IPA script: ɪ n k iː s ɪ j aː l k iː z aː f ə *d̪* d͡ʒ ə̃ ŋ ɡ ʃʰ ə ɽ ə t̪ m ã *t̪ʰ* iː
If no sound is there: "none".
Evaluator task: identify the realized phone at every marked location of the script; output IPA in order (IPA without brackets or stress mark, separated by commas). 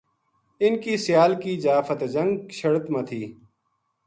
t̪, t̪ʰ